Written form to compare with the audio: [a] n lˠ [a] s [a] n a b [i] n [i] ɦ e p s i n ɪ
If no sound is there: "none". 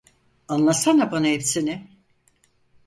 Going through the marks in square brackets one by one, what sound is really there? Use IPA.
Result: a, a, a, a, a

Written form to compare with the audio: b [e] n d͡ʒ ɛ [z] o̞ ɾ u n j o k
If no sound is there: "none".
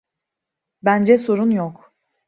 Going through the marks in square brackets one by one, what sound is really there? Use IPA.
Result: æ, s

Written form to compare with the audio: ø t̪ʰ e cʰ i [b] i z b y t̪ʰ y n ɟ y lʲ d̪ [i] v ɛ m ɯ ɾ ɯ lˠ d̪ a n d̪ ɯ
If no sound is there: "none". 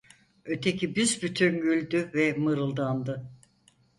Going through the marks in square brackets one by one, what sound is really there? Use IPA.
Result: b, y

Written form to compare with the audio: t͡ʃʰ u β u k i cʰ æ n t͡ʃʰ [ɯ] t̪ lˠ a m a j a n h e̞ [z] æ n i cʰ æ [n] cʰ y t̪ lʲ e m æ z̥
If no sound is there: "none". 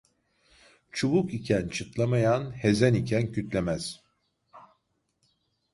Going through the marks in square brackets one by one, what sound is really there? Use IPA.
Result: ɯ, z, n

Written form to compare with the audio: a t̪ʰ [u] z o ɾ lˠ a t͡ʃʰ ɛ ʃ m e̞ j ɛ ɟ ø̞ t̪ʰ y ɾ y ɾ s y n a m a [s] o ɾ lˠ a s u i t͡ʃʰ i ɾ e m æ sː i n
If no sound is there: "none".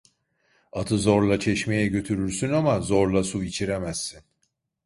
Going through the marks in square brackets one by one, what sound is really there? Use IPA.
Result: ɯ, z

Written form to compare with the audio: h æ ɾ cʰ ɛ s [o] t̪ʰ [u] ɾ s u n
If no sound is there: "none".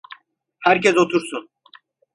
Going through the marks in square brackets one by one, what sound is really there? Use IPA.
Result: o, u

